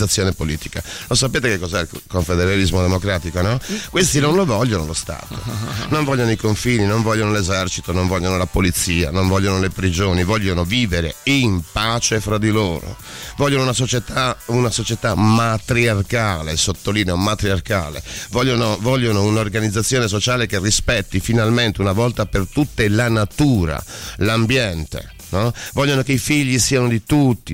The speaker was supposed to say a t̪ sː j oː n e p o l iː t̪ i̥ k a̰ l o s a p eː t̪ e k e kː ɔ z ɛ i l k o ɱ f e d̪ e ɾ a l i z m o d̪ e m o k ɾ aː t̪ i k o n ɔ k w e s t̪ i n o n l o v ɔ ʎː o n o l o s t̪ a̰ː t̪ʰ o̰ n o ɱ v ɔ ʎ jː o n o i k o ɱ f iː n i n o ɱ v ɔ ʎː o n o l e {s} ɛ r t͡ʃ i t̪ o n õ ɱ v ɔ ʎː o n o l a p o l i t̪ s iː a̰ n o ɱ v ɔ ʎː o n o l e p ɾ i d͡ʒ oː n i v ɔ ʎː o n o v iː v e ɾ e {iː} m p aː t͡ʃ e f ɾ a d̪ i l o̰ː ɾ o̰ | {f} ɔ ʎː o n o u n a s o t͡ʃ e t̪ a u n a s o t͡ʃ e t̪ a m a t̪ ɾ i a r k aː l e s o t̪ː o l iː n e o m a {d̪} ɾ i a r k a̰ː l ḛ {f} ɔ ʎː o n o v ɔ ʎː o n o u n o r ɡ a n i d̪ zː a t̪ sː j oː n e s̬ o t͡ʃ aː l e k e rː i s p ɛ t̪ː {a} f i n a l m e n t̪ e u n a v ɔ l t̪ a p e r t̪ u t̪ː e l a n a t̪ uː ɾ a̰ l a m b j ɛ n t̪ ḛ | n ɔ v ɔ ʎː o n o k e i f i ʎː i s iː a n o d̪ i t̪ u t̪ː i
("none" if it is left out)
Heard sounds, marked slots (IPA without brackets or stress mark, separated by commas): z, i, v, t̪, v, i